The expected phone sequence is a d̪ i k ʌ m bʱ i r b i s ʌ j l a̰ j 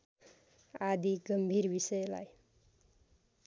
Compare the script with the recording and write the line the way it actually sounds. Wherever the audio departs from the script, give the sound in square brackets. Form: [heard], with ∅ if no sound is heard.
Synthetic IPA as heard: a d̪ i [ɡ] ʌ m bʱ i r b i s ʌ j l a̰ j